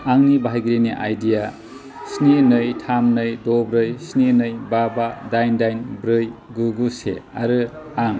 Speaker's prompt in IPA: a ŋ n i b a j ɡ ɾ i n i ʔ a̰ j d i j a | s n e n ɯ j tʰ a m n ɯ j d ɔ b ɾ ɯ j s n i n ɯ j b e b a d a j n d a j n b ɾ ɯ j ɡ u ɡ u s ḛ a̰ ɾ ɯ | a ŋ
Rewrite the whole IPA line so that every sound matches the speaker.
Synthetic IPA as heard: a ŋ n i b a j ɡ ɾ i n i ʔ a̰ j d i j a | s n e n ɯ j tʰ a m n ɯ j d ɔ b ɾ ɯ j s n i n ɯ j b a b a d a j n d a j n b ɾ ɯ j ɡ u ɡ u s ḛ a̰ ɾ ɯ | a ŋ